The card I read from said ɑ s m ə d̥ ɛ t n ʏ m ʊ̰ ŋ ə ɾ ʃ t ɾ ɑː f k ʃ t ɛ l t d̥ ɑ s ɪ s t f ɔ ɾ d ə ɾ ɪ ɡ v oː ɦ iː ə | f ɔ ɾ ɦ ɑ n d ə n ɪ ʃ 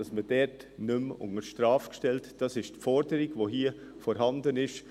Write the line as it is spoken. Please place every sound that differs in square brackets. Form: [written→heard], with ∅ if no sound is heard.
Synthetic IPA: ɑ s m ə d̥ ɛ t n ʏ m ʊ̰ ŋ ə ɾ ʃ t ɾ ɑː f k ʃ t ɛ l t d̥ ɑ s ɪ [s→ʃ] t f ɔ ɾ d ə ɾ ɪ ɡ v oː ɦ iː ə | f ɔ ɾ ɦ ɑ n d ə n ɪ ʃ